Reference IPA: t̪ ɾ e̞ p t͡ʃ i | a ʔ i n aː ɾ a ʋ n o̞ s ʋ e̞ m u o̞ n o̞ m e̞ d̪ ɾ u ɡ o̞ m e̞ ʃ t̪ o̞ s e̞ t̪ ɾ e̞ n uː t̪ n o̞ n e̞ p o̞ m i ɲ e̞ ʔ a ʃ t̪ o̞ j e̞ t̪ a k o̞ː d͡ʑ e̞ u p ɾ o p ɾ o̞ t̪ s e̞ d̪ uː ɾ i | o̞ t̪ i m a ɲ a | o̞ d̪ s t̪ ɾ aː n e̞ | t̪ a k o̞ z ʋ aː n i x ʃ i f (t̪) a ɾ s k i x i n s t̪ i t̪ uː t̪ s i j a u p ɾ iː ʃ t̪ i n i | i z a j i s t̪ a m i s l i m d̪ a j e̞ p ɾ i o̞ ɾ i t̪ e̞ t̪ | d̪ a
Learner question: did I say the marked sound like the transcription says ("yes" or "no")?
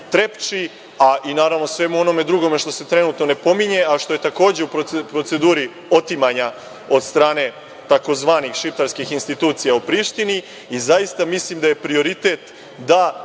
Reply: yes